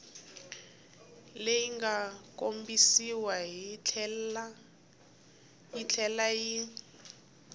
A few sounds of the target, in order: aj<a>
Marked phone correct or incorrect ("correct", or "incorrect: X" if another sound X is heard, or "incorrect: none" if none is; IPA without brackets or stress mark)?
incorrect: i